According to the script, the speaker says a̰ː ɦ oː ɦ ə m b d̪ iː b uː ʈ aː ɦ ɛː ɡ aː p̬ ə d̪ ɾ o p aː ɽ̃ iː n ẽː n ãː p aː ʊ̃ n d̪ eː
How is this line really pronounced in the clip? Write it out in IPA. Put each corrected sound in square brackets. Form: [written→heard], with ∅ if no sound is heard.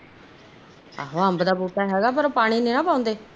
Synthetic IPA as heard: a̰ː ɦ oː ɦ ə m b d̪ [iː→aː] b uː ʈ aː ɦ ɛː ɡ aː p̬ ə [d̪→∅] ɾ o p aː ɽ̃ iː n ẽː n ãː p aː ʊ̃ n d̪ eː